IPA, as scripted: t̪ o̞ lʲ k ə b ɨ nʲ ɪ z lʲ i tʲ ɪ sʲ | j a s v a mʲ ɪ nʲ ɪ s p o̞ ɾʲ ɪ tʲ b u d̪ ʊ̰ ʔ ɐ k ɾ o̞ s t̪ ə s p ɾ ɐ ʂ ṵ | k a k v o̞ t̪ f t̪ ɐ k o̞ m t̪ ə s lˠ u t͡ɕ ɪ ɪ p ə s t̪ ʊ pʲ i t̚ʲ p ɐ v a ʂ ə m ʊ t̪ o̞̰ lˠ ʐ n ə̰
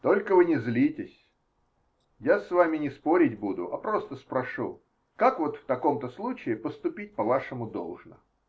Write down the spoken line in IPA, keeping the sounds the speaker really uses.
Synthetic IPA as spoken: t̪ o̞ lʲ k ə v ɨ nʲ ɪ z lʲ i tʲ ɪ sʲ | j a s v a mʲ ɪ nʲ ɪ s p o̞ ɾʲ ɪ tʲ b u d̪ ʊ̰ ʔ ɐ p ɾ o̞ s t̪ ə s p ɾ ɐ ʂ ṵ | k a k v o̞ t̪ f t̪ ɐ k o̞ m t̪ ə s lˠ u t͡ɕ ɪ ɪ p ə s t̪ ʊ pʲ i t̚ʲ p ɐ v a ʂ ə m ʊ d̪ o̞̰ lˠ ʐ n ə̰